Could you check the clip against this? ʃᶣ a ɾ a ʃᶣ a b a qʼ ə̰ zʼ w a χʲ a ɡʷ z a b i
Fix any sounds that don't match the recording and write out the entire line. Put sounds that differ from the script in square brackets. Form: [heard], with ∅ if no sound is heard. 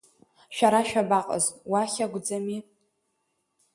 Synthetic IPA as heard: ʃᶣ a ɾ a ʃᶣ a b a qʼ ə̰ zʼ w a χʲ a ɡʷ [d͡z] a [m] i